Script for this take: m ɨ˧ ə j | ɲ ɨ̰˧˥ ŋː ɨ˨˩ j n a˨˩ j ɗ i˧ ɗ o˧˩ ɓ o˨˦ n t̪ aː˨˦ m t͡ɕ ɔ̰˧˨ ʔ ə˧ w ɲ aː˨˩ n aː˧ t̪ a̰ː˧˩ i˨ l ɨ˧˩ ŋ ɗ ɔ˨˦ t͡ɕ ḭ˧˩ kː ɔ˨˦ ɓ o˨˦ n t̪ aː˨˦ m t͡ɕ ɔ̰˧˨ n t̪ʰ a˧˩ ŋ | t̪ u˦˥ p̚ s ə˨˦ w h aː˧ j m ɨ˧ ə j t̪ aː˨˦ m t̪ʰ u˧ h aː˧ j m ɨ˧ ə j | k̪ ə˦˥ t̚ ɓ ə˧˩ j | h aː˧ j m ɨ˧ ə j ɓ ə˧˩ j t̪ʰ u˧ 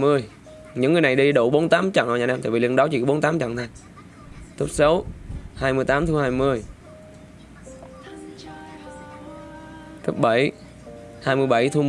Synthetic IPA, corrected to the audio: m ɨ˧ ə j | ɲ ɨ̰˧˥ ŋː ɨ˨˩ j n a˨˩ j ɗ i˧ ɗ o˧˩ ɓ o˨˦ n t̪ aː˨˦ m t͡ɕ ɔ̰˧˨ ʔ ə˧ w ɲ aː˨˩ n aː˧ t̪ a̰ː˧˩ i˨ l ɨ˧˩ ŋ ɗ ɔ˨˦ t͡ɕ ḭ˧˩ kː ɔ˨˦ ɓ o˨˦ n t̪ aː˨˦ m t͡ɕ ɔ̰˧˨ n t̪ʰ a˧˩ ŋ | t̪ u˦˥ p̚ s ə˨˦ w h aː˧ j m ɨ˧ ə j t̪ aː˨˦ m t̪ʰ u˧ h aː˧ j m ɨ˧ ə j | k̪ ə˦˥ p̚ ɓ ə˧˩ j | h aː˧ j m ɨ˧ ə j ɓ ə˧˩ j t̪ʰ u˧